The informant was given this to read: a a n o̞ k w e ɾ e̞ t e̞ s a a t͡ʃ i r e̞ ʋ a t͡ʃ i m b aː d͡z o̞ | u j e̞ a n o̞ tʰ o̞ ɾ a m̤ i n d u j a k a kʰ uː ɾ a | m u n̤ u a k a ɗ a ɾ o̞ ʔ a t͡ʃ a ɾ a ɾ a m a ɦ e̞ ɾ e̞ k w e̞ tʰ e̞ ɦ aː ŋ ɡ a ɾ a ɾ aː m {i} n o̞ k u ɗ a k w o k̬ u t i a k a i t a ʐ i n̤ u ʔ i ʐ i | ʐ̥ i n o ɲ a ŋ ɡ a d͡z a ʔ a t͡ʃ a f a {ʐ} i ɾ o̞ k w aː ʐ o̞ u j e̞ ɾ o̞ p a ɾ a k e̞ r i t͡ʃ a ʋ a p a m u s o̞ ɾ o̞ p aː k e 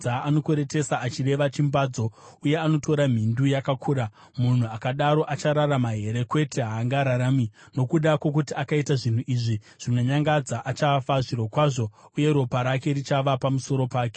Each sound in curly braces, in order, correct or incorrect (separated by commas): correct, correct